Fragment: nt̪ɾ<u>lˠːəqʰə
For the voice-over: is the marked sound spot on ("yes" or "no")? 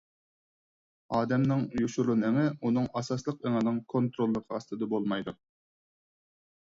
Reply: no